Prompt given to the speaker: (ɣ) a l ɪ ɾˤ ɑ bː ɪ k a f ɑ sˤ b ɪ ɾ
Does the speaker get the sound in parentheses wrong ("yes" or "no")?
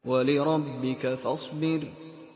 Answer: yes